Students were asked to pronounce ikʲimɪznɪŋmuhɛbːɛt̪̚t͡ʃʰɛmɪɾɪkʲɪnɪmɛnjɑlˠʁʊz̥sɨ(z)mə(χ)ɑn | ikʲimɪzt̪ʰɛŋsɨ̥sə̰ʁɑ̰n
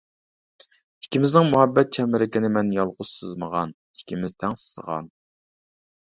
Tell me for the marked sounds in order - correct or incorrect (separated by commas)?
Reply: correct, incorrect